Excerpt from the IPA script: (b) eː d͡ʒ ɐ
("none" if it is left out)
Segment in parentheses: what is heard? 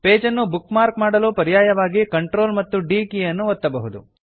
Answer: p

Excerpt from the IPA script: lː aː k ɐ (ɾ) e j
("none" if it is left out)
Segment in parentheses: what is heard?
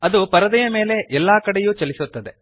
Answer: ɽ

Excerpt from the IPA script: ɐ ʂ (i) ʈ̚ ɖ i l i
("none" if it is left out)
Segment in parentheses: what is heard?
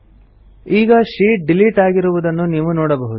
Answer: iː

